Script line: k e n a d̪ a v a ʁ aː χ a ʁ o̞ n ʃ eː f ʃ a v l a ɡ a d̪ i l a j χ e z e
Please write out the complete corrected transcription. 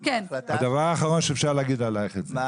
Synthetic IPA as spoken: k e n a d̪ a v a ʁ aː χ a ʁ o̞ n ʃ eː f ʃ a ʁ l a ɡ i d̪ a l a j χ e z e